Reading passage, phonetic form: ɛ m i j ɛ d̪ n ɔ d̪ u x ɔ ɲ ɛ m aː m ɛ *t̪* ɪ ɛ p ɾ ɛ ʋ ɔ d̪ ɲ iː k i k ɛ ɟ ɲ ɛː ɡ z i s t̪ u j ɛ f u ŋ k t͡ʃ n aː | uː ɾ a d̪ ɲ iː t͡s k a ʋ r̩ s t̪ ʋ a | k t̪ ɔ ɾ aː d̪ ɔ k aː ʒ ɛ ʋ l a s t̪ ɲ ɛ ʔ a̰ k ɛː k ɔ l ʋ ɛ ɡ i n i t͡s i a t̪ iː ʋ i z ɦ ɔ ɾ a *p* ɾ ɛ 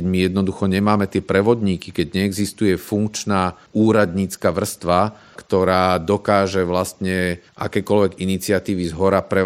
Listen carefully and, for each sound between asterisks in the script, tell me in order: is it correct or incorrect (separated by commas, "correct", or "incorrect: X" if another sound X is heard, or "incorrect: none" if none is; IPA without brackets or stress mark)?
correct, correct